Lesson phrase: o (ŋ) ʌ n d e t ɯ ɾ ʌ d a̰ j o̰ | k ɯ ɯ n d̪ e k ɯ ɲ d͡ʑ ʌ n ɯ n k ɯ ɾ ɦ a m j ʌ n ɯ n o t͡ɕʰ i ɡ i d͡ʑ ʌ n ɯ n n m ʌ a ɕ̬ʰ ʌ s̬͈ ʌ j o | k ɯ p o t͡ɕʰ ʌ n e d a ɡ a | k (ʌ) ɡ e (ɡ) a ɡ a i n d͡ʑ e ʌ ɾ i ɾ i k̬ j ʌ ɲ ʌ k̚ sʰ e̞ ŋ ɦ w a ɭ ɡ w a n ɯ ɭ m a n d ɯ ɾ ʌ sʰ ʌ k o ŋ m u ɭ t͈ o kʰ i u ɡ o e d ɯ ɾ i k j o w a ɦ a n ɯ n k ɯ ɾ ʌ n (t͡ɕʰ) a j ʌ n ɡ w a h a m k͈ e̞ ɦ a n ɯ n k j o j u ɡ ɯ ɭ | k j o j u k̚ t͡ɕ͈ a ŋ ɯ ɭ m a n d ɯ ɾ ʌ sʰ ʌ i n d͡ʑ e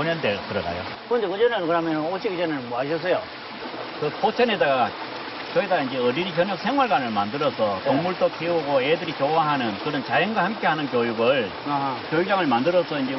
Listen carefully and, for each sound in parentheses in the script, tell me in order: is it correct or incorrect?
incorrect: ɲ, correct, incorrect: d, incorrect: t͡ɕ

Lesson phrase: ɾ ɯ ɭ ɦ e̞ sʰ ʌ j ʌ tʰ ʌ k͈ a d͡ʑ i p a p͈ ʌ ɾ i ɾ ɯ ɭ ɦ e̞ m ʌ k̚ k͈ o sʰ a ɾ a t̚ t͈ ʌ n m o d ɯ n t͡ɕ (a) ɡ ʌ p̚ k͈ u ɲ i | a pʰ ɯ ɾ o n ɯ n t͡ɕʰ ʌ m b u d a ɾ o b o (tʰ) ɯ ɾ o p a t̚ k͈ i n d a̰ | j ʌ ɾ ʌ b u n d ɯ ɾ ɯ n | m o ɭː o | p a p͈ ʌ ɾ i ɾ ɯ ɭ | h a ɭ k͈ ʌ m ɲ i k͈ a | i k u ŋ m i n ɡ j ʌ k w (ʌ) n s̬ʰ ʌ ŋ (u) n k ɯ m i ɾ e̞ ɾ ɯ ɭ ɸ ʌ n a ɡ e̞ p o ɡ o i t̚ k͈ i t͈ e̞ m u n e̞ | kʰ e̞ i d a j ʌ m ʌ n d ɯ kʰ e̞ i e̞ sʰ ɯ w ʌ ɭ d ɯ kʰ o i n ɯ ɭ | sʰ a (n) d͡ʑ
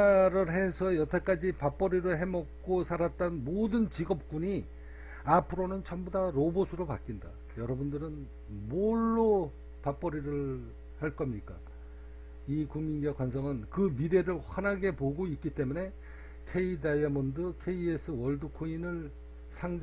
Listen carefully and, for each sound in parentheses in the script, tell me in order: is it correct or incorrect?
incorrect: i, incorrect: sʰ, incorrect: a, incorrect: ɯ, incorrect: ŋ

